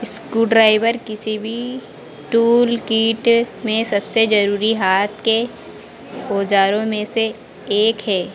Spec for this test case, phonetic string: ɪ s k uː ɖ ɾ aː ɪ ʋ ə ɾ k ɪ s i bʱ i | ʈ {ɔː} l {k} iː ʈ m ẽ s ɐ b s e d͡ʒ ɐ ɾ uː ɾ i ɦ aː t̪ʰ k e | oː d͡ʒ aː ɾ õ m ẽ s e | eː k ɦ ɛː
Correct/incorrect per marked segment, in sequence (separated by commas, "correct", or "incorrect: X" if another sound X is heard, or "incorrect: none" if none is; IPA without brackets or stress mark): incorrect: uː, correct